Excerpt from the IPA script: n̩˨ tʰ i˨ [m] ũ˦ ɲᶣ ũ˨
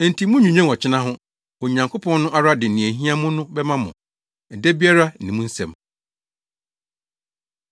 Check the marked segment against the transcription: correct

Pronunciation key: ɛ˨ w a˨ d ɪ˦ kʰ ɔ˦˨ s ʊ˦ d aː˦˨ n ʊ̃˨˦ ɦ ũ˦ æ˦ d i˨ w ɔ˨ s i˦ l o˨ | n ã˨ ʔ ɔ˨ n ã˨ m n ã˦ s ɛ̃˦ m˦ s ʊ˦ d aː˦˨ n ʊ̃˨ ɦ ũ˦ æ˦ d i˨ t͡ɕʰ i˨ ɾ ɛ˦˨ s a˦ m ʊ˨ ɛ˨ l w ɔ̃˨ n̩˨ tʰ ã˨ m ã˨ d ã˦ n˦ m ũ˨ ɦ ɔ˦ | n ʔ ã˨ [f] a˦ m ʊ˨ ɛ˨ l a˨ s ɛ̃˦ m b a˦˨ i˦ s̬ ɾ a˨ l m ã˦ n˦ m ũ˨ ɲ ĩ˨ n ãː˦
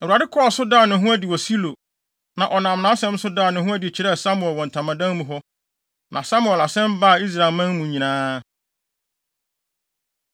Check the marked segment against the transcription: incorrect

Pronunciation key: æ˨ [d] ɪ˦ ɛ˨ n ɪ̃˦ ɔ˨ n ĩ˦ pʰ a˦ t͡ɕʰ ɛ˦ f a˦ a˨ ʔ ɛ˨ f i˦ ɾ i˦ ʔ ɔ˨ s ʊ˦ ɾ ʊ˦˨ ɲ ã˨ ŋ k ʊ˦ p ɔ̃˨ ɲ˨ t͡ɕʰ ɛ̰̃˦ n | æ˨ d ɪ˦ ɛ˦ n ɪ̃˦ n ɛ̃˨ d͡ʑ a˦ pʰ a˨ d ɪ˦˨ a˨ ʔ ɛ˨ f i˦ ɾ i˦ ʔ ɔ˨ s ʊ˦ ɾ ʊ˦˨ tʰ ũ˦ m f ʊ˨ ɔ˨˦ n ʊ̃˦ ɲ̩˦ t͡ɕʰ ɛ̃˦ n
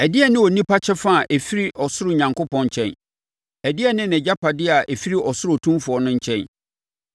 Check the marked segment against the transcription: correct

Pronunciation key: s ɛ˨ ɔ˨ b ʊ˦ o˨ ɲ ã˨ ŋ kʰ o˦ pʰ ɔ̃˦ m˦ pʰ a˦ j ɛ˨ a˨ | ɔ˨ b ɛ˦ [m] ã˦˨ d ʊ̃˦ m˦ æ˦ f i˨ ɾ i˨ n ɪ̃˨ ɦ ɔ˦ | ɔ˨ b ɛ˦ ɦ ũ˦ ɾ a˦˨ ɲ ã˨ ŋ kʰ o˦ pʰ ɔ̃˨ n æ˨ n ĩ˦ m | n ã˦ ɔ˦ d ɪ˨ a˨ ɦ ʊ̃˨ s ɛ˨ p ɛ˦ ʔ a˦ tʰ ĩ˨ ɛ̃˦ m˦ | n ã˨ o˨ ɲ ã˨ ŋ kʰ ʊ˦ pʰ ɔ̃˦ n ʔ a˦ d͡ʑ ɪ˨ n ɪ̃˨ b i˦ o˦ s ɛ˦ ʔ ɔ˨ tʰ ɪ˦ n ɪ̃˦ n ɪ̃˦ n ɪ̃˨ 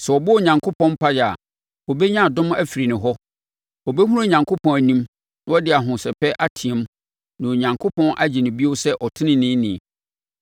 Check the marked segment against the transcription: incorrect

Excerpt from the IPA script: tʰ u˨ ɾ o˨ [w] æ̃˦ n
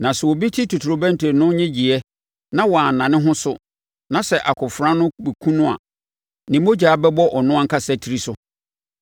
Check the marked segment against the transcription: incorrect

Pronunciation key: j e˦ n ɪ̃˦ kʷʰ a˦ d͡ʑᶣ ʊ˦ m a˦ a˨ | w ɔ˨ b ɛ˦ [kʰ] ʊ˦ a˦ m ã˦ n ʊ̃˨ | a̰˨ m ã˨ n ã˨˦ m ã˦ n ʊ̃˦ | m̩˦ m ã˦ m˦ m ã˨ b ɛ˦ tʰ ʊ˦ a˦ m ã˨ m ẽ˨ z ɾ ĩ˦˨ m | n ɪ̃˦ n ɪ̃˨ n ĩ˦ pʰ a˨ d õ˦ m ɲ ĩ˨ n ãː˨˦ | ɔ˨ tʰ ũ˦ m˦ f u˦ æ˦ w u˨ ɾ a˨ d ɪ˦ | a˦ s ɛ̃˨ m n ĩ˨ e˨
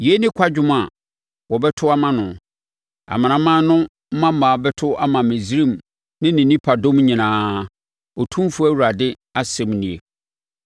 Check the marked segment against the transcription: incorrect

